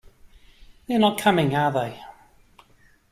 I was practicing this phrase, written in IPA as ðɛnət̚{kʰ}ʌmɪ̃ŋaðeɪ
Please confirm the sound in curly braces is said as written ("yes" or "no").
yes